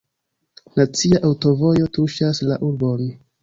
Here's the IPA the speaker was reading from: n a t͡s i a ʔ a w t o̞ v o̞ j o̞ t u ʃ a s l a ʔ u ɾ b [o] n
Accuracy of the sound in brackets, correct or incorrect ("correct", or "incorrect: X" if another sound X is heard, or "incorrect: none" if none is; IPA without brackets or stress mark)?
correct